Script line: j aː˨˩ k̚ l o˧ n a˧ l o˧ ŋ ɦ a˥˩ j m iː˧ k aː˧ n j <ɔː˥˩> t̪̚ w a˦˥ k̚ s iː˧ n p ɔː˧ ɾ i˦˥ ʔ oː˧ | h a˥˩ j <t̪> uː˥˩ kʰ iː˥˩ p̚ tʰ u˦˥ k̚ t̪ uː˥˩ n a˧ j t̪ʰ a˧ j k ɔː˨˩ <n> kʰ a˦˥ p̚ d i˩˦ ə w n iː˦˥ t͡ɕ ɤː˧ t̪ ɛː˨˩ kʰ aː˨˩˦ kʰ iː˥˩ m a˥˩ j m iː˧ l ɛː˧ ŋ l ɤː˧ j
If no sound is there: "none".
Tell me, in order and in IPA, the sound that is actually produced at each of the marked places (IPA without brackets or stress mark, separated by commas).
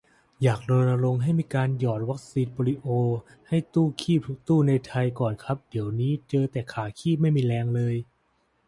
ɔː˨˩, t̪, n